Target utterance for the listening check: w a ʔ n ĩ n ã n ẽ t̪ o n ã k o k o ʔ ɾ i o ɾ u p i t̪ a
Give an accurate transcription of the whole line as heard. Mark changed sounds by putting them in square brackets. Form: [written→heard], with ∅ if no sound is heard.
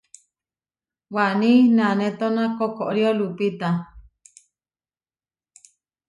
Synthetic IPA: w a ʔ n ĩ n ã n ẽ t̪ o n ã k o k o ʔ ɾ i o [ɾ→l] u p i t̪ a

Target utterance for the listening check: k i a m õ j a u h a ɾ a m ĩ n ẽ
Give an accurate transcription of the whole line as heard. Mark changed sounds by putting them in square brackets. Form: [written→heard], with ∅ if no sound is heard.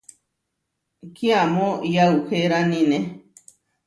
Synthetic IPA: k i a m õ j a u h [a→e] ɾ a [m→n] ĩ n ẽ

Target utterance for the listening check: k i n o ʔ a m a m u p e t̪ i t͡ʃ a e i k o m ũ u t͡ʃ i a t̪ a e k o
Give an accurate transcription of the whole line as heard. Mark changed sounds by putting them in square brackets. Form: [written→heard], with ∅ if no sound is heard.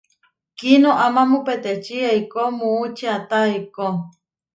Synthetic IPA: k i n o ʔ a m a m u p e t̪ [i→e] t͡ʃ [a→i] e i k o m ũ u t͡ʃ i a t̪ a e k o

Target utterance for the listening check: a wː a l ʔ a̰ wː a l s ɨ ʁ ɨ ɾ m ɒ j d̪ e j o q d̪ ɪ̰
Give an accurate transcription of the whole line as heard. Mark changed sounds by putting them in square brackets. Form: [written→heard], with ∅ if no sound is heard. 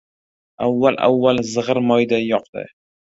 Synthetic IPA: a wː a l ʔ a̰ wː a l [s→z] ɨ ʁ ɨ ɾ m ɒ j d̪ [e→a] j [o→ɒ] q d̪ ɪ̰

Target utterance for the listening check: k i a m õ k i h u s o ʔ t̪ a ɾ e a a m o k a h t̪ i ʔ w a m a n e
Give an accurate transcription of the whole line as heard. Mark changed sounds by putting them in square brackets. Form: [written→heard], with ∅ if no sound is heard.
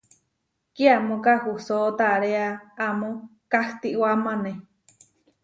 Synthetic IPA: k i a m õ k [i→a] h u s o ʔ t̪ a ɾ e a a m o k a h t̪ i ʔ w a m a n e

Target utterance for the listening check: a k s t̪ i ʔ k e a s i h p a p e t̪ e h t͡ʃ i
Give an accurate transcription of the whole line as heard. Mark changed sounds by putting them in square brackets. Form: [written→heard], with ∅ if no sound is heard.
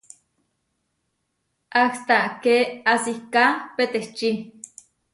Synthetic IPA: a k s t̪ [i→a] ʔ k e a s i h [p→k] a p e t̪ e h t͡ʃ i

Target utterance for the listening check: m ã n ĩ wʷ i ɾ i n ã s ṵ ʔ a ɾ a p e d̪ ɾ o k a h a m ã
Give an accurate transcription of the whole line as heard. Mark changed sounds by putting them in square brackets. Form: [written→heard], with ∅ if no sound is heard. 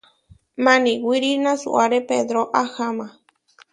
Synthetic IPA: m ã n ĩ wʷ i ɾ i n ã s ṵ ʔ a ɾ [a→e] p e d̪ ɾ o [k→ʔ] a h a m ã

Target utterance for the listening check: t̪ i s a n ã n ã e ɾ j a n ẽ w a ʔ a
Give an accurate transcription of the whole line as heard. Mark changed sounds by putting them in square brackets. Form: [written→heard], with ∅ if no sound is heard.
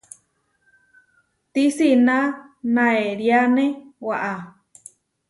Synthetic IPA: t̪ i s [a→i] n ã n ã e ɾ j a n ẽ w a ʔ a

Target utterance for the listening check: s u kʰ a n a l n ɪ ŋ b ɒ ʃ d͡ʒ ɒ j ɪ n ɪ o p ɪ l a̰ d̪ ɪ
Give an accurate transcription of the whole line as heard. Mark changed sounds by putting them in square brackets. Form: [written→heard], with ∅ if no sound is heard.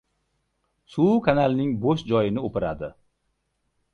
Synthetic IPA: s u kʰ a n a l n ɪ ŋ b [ɒ→o] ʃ d͡ʒ ɒ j ɪ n ɪ o p ɪ [l→ɾ] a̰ d̪ ɪ

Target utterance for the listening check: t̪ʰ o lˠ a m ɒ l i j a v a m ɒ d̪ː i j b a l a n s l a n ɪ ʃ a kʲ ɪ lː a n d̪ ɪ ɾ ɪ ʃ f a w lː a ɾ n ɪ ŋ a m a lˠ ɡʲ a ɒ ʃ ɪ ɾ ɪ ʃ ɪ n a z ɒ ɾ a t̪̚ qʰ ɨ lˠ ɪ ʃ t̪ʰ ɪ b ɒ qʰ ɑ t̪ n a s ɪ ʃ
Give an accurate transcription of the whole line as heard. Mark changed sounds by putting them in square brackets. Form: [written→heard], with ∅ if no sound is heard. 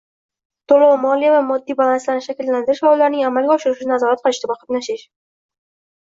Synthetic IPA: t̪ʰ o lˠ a m ɒ l i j a v a m ɒ d̪ː i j b a l a n s l a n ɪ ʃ a kʲ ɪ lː a n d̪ ɪ ɾ ɪ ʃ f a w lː a ɾ n ɪ ŋ a m a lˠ ɡʲ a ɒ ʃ ɪ ɾ ɪ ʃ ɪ n a z ɒ ɾ a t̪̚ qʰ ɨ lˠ ɪ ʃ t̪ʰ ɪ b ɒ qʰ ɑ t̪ n a [s→ʃ] ɪ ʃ

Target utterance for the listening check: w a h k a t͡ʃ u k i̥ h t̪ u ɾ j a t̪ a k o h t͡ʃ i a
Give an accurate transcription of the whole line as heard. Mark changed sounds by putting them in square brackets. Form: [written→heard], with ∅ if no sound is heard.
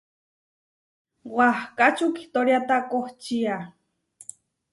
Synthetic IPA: w a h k a t͡ʃ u k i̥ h t̪ [u→o] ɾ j a t̪ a k o h t͡ʃ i a

